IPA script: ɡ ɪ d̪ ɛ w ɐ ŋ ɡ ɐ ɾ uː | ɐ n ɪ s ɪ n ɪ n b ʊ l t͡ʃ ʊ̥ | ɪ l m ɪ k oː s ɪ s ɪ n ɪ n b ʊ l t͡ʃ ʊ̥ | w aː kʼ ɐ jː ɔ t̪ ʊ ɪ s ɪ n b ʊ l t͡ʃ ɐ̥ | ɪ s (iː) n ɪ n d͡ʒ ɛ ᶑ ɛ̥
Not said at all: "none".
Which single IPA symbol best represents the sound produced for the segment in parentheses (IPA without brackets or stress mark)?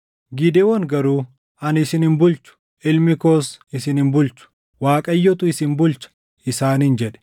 aː